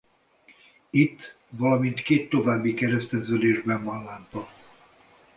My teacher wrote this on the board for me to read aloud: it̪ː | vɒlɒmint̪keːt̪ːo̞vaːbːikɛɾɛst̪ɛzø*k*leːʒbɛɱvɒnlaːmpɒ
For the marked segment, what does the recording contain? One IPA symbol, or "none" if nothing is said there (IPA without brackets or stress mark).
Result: none